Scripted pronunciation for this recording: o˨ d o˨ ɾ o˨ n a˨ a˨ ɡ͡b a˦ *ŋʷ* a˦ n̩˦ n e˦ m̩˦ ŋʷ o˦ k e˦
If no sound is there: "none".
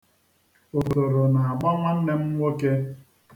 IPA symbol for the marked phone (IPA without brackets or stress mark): ŋʷ